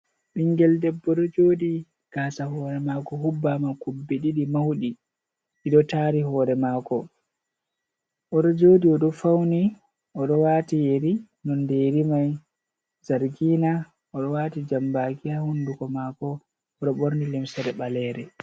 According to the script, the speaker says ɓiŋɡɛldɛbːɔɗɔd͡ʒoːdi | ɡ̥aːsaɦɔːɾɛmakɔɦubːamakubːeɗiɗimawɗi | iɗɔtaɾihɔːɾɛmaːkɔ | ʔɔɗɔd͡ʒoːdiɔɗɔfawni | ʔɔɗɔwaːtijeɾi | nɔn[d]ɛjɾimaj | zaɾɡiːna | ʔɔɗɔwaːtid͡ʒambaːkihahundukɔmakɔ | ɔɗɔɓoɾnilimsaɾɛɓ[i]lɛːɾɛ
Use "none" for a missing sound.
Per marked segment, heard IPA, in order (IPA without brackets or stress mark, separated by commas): d, a